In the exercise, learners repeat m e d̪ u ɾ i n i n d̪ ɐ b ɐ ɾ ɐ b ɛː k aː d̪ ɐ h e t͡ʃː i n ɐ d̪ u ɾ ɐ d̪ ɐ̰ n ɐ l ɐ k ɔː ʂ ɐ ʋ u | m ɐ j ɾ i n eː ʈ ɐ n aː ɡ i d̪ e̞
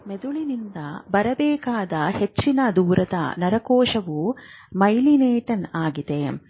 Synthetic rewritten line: m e d̪ u ɭ i n i n d̪ ɐ b ɐ ɾ ɐ b ɛː k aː d̪ ɐ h e t͡ʃː i n ɐ d̪ uː ɾ ɐ d̪ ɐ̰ n ɐ ɾ ɐ k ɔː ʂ ɐ ʋ u | m ɐ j l i n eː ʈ ɐ n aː ɡ i d̪ e̞